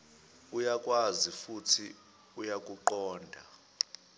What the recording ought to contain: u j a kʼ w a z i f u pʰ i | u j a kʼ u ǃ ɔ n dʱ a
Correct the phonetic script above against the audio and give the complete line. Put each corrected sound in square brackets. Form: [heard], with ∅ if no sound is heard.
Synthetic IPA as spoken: u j a kʼ w a z i f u [tʰ] i | u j a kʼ u ǃ [ɔː] n dʱ a